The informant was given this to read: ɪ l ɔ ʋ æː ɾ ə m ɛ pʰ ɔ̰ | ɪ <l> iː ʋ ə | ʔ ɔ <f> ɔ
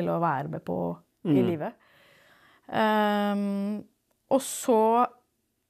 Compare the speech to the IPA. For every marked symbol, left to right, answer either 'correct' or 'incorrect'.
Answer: correct, incorrect: s

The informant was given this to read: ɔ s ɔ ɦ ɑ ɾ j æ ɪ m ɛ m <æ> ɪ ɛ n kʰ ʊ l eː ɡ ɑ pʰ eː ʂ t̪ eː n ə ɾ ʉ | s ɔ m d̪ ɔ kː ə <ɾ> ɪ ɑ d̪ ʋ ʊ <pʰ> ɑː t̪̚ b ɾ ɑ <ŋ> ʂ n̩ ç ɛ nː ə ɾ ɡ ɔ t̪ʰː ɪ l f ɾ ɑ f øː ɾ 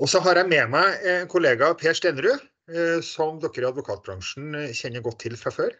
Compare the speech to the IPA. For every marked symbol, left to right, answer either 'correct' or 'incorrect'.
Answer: correct, correct, incorrect: kʰ, correct

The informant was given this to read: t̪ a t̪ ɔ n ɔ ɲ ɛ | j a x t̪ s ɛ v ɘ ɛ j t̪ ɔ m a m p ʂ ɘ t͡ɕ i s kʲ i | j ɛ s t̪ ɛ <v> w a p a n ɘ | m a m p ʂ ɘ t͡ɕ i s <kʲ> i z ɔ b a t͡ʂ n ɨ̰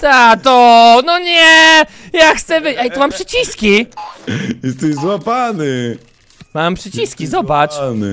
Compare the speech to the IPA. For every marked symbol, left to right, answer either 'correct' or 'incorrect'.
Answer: incorrect: z, correct

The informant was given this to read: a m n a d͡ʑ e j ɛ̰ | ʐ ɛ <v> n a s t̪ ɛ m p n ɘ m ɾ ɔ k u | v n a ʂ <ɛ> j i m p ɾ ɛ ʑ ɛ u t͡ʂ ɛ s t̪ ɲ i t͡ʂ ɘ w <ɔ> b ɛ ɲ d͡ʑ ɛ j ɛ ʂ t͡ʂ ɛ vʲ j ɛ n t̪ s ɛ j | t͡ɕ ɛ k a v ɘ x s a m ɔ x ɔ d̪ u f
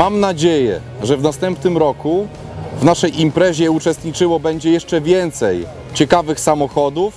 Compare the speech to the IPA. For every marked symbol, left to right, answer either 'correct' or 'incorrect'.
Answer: correct, correct, correct

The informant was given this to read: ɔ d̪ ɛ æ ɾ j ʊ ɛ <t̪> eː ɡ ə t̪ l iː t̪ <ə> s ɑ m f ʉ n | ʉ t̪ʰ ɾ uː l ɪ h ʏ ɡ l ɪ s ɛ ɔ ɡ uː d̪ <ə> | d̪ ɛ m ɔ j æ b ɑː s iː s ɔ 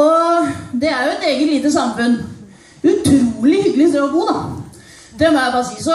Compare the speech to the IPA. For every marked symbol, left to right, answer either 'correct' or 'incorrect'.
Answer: correct, correct, incorrect: ɑ

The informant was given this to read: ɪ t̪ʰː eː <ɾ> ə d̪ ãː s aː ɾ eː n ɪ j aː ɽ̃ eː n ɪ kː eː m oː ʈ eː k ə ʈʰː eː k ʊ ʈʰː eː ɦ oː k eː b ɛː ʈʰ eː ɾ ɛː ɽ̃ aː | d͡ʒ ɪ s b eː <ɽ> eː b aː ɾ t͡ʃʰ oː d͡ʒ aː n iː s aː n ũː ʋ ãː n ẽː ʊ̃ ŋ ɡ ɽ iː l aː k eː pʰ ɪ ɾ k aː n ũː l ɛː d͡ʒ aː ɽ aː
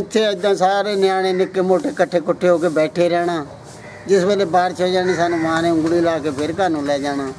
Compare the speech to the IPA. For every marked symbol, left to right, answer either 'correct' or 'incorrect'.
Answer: incorrect: none, incorrect: l

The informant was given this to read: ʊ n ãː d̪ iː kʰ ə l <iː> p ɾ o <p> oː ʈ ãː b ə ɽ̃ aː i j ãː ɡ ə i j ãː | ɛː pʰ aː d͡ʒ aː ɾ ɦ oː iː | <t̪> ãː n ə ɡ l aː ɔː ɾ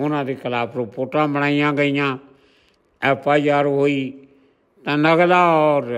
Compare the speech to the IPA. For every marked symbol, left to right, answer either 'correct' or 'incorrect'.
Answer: incorrect: aː, correct, correct

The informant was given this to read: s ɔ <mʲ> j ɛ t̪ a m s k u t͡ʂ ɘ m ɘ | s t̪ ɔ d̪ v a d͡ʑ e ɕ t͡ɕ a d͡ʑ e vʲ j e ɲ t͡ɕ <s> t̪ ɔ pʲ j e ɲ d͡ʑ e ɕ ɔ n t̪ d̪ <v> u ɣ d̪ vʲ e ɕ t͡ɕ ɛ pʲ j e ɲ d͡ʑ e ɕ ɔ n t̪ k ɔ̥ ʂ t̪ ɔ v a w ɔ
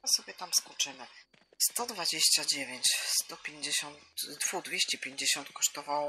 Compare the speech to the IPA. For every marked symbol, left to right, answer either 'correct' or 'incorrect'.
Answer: incorrect: bʲ, correct, correct

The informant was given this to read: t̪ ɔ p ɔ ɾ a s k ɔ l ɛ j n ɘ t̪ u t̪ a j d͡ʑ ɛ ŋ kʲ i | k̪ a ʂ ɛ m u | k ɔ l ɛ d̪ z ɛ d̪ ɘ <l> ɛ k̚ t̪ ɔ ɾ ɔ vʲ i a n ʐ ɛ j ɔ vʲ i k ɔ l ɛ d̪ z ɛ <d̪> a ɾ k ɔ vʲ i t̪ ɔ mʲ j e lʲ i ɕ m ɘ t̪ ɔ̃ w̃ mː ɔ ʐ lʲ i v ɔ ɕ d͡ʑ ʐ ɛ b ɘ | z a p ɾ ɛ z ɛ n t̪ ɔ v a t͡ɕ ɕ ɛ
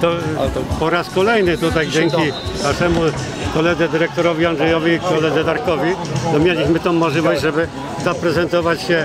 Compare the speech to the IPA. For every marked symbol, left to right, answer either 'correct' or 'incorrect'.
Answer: incorrect: ɾ, correct

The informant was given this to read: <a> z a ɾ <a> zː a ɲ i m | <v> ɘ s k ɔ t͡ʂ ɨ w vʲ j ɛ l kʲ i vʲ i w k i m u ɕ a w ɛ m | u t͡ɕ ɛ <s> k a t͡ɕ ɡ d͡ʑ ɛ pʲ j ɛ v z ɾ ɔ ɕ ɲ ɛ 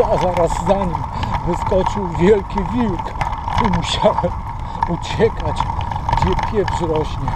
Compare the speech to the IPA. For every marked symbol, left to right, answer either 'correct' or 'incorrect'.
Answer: correct, correct, correct, incorrect: none

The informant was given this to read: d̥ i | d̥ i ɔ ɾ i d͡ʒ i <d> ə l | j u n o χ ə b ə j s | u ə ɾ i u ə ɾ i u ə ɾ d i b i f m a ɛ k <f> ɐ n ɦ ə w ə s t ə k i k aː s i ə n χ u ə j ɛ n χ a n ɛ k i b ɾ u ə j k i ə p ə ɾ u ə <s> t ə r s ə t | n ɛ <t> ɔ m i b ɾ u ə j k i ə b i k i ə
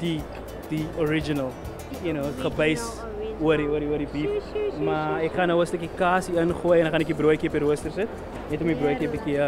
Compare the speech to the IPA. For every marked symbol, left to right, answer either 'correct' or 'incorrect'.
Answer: incorrect: n, incorrect: χ, correct, correct

